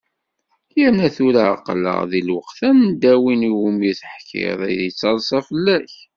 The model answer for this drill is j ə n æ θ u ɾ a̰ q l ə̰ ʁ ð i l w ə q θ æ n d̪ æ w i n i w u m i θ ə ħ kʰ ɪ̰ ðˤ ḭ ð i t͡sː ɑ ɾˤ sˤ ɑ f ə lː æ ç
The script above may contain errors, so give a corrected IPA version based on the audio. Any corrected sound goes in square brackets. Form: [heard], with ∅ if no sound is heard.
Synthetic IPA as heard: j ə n æ θ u ɾ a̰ q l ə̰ ʁ ð i l w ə q θ æ n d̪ æ w i n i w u m i θ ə ħ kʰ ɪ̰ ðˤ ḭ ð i t͡sː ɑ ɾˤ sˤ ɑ f ə lː æ ç